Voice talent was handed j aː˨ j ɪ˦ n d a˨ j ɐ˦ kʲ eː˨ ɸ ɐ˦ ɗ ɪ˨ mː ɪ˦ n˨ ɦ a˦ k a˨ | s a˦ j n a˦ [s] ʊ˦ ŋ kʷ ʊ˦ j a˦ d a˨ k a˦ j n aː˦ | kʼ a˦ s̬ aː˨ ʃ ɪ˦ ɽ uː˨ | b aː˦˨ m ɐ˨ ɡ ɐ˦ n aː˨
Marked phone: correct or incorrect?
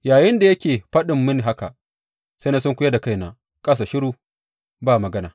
correct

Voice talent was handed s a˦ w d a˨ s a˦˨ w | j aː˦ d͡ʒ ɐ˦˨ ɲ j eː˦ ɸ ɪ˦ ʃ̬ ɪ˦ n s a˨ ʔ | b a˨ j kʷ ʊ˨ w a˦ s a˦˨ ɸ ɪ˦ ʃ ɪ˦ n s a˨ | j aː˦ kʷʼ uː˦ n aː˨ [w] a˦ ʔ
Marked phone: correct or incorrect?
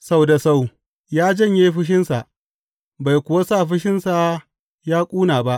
incorrect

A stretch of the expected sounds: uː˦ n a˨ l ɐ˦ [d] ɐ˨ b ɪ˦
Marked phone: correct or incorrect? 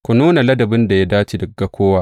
correct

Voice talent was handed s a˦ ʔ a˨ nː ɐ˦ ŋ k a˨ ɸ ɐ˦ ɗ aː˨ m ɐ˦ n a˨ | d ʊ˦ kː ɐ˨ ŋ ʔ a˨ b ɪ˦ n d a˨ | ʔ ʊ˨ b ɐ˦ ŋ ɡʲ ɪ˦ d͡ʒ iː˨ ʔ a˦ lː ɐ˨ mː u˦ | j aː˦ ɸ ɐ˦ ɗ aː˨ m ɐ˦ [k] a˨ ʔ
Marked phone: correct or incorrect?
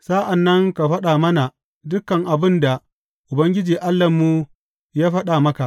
correct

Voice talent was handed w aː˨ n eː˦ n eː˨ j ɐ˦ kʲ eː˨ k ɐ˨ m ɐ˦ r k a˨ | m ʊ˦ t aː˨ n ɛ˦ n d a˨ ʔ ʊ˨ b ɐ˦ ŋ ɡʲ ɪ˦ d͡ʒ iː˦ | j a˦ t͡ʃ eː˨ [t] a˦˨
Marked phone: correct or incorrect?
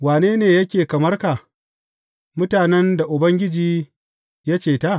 correct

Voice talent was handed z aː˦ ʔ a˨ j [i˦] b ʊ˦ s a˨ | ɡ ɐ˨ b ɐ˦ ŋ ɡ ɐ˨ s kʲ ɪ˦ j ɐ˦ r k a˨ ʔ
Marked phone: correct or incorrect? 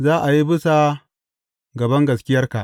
correct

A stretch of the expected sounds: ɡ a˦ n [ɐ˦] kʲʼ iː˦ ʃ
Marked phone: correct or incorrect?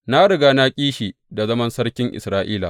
incorrect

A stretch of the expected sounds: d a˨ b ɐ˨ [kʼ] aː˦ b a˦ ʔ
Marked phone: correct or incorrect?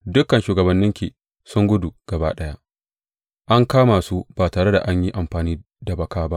incorrect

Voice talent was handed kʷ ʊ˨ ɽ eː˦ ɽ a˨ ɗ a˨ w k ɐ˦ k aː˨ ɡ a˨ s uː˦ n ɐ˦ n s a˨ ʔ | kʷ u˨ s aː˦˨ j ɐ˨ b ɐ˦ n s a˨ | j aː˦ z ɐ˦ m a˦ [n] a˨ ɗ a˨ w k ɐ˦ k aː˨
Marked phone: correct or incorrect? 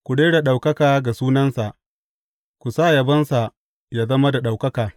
incorrect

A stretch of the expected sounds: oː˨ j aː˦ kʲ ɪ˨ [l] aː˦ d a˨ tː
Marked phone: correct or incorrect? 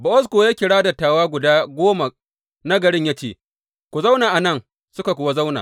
incorrect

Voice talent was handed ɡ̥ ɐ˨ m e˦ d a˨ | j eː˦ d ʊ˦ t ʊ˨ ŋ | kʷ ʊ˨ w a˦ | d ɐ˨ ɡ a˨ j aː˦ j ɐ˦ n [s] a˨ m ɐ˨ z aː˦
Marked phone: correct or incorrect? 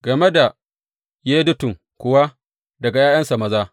correct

